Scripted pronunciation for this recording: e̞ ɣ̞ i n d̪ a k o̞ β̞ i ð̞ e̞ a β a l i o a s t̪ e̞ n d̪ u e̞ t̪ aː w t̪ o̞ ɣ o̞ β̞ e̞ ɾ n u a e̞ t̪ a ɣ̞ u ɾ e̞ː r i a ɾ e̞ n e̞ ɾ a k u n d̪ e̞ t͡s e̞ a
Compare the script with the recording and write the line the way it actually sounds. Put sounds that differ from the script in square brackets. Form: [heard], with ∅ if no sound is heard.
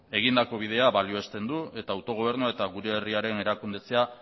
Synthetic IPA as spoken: e̞ ɣ̞ i n d̪ a k o̞ β̞ i ð̞ e̞ a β a l i o [e] s t̪ e̞ n d̪ u e̞ t̪ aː w t̪ o̞ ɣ o̞ β̞ e̞ ɾ n u a e̞ t̪ a ɣ̞ u ɾ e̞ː r i a ɾ e̞ n e̞ ɾ a k u n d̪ e̞ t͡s e̞ a